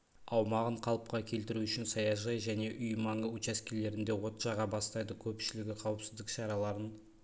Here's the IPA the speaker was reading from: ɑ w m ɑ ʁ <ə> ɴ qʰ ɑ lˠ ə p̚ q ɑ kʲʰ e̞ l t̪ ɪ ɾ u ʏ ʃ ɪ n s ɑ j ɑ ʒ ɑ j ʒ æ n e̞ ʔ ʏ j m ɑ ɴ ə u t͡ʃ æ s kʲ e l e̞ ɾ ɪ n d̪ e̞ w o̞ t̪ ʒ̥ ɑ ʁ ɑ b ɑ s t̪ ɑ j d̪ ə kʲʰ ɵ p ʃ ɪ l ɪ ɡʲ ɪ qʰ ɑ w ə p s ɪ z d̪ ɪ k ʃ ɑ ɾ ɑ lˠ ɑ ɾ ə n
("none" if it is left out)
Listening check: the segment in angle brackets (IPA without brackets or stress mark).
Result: ə